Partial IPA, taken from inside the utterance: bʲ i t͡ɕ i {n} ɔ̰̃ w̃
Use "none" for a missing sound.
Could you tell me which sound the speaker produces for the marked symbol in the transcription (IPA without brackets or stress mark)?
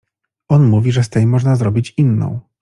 nː